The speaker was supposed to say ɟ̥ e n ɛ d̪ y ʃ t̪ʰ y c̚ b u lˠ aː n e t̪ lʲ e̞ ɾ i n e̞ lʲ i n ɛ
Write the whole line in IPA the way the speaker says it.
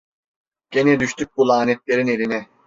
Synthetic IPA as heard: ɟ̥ e n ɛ d̪ y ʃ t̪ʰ y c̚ b u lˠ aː n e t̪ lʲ e̞ ɾ i n e̞ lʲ i n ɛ